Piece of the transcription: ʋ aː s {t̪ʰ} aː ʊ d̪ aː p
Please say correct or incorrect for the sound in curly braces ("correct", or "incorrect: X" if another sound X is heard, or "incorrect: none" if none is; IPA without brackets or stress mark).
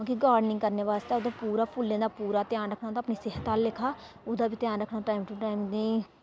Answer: incorrect: t̪